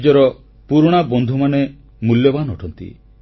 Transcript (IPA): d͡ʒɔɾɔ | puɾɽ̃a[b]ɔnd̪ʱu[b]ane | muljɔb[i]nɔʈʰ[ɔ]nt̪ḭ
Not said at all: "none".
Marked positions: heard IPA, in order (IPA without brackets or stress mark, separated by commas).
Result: b, m, a, ɔ